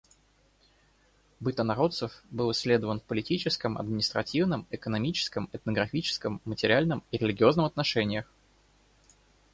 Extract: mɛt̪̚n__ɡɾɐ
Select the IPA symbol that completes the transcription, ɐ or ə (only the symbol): ə